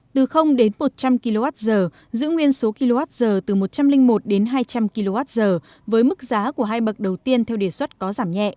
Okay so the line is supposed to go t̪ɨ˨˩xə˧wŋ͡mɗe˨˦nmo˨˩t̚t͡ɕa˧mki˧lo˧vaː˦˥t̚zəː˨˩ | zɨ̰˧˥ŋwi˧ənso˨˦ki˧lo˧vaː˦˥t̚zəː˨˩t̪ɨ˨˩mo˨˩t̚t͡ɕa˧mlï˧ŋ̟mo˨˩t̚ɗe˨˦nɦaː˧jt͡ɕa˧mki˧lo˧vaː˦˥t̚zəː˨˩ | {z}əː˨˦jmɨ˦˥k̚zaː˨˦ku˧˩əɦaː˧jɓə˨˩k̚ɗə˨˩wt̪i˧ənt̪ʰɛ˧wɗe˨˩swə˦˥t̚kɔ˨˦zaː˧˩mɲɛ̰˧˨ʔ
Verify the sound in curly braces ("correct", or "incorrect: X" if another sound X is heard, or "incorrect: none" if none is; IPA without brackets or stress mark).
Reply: incorrect: v